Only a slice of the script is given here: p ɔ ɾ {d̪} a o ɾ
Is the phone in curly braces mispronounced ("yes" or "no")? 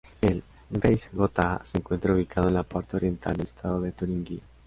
yes